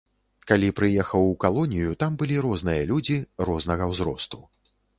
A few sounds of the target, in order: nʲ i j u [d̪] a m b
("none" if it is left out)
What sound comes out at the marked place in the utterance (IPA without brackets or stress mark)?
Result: t̪